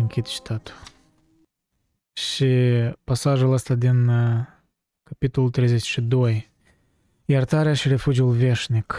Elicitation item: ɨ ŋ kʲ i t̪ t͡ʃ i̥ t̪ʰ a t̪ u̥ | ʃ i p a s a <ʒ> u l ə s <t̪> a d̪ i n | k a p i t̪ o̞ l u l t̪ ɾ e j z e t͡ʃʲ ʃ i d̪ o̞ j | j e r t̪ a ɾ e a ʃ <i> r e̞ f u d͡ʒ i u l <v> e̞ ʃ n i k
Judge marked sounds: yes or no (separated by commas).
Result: yes, yes, yes, yes